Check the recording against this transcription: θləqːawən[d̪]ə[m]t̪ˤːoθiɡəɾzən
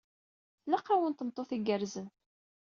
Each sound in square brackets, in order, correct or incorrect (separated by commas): incorrect, correct